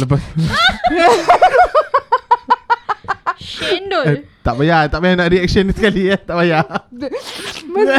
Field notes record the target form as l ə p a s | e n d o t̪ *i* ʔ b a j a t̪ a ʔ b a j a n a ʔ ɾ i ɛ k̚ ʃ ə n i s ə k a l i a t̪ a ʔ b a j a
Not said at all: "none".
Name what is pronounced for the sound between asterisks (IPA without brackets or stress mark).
a